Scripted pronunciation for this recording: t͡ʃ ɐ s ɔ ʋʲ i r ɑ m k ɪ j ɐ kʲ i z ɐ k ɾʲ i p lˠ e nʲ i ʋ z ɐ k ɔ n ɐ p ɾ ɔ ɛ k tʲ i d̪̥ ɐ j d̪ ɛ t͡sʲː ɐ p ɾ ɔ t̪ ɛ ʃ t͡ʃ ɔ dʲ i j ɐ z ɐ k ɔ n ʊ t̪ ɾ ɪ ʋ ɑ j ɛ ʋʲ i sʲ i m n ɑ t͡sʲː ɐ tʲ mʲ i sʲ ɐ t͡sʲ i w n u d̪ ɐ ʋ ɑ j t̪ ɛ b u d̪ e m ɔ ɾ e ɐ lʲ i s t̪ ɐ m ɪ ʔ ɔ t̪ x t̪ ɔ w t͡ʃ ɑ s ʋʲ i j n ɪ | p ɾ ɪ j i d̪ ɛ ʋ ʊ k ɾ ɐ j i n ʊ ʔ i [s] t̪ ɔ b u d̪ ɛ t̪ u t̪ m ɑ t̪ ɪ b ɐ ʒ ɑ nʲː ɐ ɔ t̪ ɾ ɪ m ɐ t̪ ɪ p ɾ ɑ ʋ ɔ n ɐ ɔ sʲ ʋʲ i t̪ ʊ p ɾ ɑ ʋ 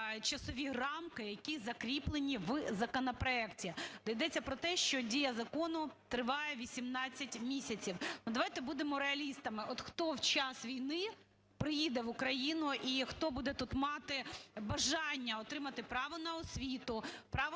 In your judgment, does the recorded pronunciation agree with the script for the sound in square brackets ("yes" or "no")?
no